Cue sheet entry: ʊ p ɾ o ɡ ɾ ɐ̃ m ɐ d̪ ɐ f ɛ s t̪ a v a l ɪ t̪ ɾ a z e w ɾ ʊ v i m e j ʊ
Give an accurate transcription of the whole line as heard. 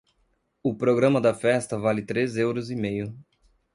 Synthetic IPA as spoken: ʊ p ɾ o ɡ ɾ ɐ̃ m ɐ d̪ ɐ f ɛ s t̪ ɐ v a l ɪ t̪ ɾ e z e w ɾ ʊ z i m e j ʊ